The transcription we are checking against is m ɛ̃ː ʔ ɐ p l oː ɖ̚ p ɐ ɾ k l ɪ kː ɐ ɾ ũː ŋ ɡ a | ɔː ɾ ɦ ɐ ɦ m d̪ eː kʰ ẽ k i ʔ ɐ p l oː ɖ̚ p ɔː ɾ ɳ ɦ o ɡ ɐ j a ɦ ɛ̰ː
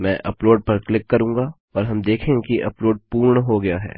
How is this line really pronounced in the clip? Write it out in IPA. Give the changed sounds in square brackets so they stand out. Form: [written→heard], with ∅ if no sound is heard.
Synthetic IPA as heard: m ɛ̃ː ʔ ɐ p l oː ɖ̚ p ɐ ɾ k l ɪ kː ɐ ɾ ũː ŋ ɡ a | ɔː ɾ ɦ ɐ [ɦ→∅] m d̪ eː kʰ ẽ k i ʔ ɐ p l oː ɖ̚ p [ɔː→uː] ɾ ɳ ɦ o ɡ ɐ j a ɦ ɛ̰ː